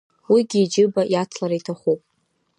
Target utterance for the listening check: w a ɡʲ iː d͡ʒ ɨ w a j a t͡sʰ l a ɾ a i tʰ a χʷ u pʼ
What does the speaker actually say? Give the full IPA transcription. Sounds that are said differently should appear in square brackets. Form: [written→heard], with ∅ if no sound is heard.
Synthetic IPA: w [a→i] ɡʲ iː d͡ʒ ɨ [w→b] a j a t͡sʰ l a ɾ a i tʰ a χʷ u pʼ